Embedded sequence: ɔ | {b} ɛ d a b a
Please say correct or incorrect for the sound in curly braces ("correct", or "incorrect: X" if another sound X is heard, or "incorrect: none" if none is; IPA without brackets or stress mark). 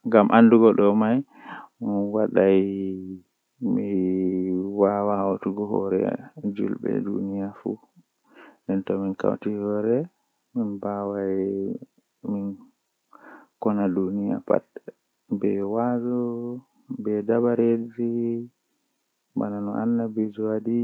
correct